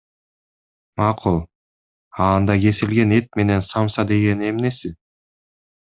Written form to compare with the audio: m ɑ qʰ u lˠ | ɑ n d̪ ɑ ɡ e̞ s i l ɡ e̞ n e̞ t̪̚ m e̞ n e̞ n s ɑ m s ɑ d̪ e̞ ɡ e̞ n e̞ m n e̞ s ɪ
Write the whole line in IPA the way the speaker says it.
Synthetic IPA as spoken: m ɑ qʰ u lˠ | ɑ n d̪ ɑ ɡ e̞ s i l ɡ e̞ n e̞ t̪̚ m e̞ n e̞ n s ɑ m s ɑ d̪ e̞ ɡ e̞ n e̞ m n e̞ s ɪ

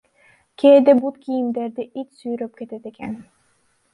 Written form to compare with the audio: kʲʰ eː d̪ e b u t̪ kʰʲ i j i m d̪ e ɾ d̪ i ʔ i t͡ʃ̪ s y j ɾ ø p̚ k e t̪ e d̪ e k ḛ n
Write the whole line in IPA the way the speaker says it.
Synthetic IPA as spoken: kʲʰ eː d̪ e b u t̪ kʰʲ i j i m d̪ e ɾ d̪ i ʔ i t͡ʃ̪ s y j ɾ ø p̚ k e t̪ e t̪ e k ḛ n

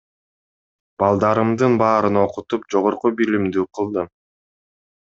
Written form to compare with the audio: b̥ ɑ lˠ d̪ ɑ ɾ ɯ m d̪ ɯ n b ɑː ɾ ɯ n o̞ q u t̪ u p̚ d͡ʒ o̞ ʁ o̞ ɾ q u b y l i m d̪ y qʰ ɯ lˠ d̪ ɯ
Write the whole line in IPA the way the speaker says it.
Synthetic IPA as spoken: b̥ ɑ lˠ d̪ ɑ ɾ ɯ m d̪ ɯ n b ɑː ɾ ɯ n o̞ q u t̪ u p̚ d͡ʒ o̞ ʁ o̞ ɾ q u b i l i m d̪ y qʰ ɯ lˠ d̪ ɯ

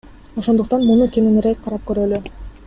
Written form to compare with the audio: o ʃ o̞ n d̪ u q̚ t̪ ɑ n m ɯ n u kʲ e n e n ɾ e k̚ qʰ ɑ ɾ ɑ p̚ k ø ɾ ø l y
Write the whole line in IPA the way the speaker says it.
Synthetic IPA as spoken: o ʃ o̞ n d̪ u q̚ t̪ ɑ n m u n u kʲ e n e n ɾ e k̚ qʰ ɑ ɾ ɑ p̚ k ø ɾ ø l y

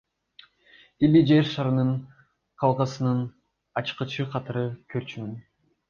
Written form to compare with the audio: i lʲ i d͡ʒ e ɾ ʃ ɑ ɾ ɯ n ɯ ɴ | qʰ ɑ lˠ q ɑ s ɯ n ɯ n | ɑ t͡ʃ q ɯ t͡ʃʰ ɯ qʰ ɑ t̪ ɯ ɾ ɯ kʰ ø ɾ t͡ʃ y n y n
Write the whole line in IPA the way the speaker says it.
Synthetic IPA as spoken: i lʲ i d͡ʒ e ɾ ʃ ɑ ɾ ɯ n ɯ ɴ | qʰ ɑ lˠ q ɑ s ɯ n ɯ n | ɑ t͡ʃ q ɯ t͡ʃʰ ɯ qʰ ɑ t̪ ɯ ɾ ɯ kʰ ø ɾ t͡ʃ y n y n

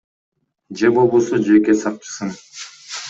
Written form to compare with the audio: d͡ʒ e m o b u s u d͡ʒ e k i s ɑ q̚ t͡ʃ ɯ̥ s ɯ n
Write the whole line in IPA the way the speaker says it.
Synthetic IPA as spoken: d͡ʒ e b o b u s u d͡ʒ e k e s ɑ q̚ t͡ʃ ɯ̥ s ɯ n

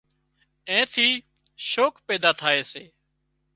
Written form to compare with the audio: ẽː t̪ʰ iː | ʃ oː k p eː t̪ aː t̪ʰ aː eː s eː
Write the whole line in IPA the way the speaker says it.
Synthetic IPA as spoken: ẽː t̪ʰ iː | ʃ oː k p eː d̪ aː t̪ʰ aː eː s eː

